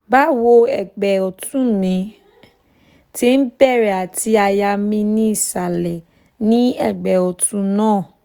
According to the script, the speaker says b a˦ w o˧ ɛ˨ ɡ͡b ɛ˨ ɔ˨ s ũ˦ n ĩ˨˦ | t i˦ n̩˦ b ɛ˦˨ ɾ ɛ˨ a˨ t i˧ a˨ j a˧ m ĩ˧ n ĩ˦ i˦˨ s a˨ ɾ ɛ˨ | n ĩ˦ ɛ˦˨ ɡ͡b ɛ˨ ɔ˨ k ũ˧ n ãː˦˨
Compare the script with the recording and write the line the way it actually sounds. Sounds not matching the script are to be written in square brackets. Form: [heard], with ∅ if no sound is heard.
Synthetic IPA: b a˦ w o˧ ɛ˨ ɡ͡b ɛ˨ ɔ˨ [t] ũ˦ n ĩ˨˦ | t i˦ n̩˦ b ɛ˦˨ ɾ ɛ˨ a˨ t i˧ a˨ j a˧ m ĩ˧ n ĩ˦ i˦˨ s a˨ [l] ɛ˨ | n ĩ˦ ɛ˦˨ ɡ͡b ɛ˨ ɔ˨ [t] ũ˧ n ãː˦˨

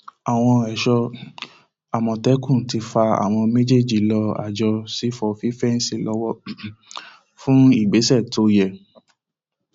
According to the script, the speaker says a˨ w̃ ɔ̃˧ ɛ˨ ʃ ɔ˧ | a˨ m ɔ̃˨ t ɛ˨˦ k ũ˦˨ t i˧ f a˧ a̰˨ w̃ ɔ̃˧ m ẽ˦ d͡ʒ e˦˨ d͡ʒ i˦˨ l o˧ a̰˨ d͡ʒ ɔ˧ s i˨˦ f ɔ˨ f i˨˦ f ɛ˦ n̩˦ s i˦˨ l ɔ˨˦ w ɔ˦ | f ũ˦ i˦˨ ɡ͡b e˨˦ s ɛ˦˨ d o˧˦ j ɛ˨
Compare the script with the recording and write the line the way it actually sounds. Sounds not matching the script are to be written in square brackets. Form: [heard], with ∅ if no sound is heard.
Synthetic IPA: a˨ w̃ ɔ̃˧ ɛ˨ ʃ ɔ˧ | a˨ m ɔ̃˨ t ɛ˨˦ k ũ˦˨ t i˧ f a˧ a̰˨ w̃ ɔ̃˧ m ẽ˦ d͡ʒ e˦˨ d͡ʒ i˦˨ l [ɔ˧] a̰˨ d͡ʒ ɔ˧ s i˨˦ f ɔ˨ f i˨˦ f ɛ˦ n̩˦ s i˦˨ l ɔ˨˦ w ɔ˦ | f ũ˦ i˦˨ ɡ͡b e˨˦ s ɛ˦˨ [t] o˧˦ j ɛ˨

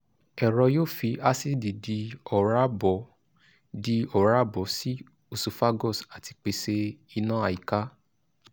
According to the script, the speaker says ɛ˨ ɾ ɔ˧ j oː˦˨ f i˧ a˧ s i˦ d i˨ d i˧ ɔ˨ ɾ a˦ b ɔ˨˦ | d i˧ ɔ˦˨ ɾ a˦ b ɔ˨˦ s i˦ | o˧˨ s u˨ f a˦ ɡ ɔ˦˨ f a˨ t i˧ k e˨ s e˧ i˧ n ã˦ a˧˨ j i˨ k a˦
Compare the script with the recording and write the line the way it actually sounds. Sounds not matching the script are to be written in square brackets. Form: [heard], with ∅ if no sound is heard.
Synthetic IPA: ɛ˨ ɾ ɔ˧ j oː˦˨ f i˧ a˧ s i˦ d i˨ d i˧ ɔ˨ ɾ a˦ b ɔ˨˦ | d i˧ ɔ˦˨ ɾ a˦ b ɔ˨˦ s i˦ | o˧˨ s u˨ f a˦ ɡ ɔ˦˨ [s] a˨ t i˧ [k͡p] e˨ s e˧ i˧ n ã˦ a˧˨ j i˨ k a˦

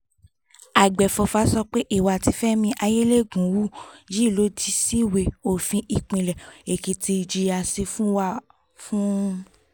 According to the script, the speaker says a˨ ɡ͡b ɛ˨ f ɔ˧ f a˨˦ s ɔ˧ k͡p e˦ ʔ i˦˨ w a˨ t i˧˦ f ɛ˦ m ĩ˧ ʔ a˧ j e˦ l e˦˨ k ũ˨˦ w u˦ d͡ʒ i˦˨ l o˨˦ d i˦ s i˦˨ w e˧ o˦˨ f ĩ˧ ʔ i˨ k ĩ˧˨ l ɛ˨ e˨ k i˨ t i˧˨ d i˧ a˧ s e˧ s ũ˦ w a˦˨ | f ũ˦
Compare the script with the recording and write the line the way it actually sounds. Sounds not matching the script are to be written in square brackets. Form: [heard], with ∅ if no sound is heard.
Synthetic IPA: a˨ ɡ͡b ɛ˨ f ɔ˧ f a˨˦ s ɔ˧ k͡p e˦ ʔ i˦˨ w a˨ t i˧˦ f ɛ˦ m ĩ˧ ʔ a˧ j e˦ l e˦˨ [ɡ] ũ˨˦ w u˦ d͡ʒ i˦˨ l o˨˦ d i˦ s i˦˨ w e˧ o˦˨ f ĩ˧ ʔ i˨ [k͡p] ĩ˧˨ l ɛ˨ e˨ k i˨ t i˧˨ [d͡ʒ] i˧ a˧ s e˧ [f] ũ˦ w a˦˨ | f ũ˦

